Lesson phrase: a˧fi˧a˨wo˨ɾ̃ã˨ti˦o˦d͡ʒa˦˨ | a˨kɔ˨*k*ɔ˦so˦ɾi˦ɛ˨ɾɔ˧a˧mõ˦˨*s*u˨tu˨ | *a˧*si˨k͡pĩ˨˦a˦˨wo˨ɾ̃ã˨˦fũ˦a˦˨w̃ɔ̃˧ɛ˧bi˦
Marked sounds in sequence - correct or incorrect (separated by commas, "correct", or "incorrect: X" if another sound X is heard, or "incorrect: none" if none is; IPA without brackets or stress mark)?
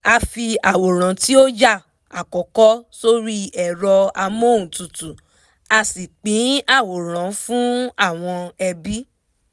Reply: correct, incorrect: t, correct